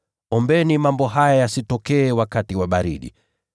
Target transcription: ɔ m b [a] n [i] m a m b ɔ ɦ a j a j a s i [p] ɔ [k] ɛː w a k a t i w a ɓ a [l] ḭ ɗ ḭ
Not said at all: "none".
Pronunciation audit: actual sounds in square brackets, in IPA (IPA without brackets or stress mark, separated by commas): ɛ, i, t, k, ɾ